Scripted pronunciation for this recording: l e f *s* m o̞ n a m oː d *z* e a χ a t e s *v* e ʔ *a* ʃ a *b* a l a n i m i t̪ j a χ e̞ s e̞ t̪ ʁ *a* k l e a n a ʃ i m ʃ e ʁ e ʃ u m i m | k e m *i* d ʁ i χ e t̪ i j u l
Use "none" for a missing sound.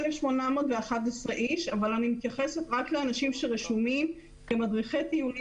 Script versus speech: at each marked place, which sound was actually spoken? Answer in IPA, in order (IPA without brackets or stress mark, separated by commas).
ʃ, v, ʁ, i, v, a, a